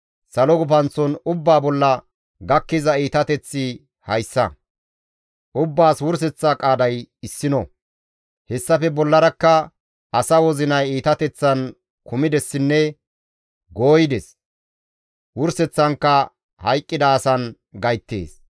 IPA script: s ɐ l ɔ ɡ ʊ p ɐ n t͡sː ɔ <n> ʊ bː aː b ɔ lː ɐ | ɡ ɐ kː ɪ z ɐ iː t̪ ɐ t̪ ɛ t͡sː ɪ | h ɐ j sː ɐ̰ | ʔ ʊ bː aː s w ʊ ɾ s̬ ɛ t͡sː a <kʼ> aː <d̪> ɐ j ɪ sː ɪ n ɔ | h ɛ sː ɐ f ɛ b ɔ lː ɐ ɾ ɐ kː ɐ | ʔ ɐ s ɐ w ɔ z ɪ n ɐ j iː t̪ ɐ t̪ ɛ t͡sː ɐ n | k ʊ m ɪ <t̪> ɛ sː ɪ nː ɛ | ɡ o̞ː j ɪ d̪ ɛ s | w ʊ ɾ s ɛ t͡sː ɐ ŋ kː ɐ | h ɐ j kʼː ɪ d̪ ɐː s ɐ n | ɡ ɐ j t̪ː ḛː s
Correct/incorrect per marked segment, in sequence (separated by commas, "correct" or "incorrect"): correct, correct, correct, incorrect